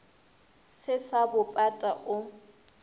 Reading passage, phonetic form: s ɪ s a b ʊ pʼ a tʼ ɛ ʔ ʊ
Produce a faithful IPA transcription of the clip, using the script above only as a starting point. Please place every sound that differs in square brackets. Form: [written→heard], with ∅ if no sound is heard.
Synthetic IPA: s ɪ s a b ʊ pʼ a tʼ [ɛ→a] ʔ ʊ